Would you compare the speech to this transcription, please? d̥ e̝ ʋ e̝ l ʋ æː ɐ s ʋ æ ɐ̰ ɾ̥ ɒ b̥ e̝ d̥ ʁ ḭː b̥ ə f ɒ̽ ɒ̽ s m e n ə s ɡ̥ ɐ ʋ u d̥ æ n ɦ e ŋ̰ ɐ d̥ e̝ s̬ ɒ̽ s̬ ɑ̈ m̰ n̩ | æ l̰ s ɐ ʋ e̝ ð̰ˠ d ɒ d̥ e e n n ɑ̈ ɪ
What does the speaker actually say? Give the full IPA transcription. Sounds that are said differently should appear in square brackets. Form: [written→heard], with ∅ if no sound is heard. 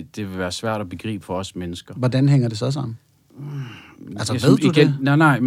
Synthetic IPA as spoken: d̥ e̝ ʋ e̝ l ʋ æː ɐ s ʋ æ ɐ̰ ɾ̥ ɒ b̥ e̝ [d̥→ɡ̥] ʁ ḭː b̥ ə f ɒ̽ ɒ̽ s m e n ə s ɡ̥ ɐ ʋ [u→ɒ] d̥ æ n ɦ e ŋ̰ ɐ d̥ e̝ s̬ ɒ̽ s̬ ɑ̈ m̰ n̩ | æ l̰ s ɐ ʋ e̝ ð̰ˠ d [ɒ→u] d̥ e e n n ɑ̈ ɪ